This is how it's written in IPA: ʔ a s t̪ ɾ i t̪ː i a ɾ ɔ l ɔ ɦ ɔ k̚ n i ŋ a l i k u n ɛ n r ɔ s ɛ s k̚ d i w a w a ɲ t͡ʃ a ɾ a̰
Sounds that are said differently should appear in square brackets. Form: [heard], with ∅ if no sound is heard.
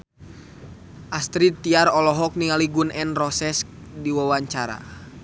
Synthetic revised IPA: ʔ a s t̪ ɾ i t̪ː i a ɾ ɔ l ɔ ɦ ɔ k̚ n i ŋ a l i [ɡ] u n ɛ n r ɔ s ɛ s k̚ d i w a w a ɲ t͡ʃ a ɾ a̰

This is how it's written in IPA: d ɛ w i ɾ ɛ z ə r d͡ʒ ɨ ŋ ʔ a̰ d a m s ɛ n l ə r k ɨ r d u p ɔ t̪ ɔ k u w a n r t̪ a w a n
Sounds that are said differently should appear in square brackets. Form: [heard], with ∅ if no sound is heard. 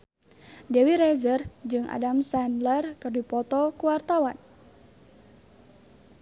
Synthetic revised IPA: d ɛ w i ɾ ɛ z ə r d͡ʒ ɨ ŋ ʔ a̰ d a m s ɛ n l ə r k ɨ r d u p ɔ t̪ ɔ k u w a [∅] r t̪ a w a n

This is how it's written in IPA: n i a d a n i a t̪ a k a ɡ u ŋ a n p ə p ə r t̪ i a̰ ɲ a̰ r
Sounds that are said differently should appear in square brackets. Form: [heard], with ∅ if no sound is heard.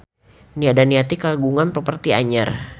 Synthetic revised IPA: n i a d a n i a t̪ [i] k a ɡ u ŋ a n p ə p ə r t̪ i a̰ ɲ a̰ r

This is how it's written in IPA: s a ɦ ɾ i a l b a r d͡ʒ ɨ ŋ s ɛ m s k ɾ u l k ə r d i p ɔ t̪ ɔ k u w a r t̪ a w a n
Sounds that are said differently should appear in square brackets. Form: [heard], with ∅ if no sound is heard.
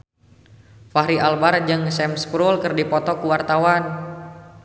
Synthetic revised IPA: [f] a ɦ ɾ i a l b a r d͡ʒ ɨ ŋ s ɛ m s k ɾ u l k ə r d i p ɔ t̪ ɔ k u w a r t̪ a w a n

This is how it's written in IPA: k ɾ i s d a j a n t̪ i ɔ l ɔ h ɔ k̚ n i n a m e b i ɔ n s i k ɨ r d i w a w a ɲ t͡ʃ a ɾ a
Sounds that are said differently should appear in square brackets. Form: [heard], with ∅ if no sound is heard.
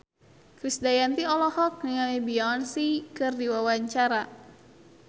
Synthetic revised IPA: k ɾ i s d a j a n t̪ i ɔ l ɔ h ɔ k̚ n i [ŋ] a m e b i ɔ n s i k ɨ r d i w a w a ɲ t͡ʃ a ɾ a

